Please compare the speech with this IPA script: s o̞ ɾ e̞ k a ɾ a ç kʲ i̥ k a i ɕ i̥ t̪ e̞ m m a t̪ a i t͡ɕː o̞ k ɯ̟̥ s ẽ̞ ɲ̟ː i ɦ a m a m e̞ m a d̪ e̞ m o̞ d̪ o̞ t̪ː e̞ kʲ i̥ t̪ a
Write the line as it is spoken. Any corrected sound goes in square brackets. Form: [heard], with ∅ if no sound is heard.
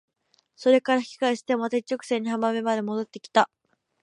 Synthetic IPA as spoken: s o̞ ɾ e̞ k a ɾ a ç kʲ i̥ k a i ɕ i̥ t̪ e̞ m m a t̪ a i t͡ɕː o̞ k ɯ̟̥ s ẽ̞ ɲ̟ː i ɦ a m a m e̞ m a d̪ e̞ m o̞ d̪ o̞ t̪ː e̞ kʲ i̥ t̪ a